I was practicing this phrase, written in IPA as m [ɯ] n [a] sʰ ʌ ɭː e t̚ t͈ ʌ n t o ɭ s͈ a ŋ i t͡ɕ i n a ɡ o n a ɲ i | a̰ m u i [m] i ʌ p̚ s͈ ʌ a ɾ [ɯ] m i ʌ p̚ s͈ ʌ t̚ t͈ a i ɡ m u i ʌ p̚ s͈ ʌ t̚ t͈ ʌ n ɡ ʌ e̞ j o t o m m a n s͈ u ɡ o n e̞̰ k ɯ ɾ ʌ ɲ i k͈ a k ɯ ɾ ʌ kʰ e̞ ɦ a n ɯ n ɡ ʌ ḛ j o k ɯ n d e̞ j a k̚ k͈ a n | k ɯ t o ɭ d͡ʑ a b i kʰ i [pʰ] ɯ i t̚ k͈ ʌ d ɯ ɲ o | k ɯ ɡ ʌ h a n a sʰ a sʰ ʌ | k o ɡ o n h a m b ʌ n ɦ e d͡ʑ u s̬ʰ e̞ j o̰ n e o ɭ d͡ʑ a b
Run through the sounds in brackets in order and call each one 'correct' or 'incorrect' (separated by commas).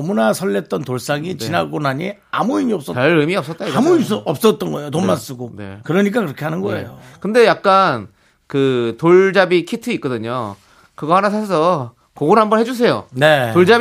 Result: incorrect, correct, correct, correct, incorrect